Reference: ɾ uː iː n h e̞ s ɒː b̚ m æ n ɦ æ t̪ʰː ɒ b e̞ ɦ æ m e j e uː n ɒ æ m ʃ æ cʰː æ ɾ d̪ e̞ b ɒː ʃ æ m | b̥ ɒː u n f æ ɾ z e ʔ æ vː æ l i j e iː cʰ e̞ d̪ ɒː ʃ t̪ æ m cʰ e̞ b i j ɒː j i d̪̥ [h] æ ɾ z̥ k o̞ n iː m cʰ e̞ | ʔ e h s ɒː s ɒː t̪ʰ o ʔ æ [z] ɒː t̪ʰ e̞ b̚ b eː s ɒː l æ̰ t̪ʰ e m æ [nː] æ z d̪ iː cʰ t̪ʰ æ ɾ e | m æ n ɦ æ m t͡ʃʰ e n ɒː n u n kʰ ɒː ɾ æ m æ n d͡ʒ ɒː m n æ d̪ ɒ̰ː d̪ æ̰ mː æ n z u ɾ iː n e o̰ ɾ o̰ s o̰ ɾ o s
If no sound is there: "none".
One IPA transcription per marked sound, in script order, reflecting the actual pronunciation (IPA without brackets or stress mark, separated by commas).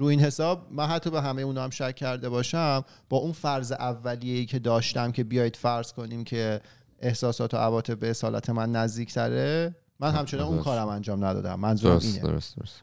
f, v, nː